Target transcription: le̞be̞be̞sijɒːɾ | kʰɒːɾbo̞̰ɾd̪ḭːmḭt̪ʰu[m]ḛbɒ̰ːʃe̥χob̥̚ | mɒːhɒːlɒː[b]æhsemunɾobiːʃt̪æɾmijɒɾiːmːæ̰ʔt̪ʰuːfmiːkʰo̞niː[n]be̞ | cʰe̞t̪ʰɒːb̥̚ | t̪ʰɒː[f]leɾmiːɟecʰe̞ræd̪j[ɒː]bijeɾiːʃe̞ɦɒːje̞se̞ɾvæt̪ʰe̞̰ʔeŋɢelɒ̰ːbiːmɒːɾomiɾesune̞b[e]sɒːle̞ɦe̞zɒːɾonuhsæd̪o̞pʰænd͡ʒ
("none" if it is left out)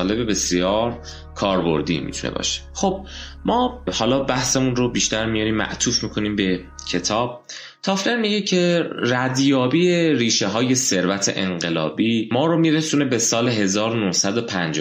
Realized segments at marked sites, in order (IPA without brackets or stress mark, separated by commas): n, b, m, f, ɒː, e